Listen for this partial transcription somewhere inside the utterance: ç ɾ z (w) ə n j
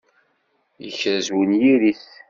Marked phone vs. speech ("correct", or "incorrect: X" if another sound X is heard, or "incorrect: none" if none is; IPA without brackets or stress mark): correct